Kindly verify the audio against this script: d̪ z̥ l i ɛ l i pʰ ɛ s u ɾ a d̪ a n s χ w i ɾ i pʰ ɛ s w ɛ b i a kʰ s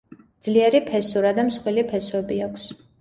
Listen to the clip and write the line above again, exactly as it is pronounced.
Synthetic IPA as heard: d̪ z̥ l i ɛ ɾ i pʰ ɛ s u ɾ a d̪ a m s χ w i l i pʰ ɛ s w ɛ b i a kʰ s